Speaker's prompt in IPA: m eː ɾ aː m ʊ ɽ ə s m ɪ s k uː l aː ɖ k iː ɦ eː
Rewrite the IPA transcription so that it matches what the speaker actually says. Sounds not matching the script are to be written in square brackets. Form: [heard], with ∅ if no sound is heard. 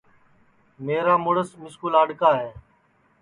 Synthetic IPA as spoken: m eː ɾ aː m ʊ ɽ ə s m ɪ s k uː l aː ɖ k [aː] ɦ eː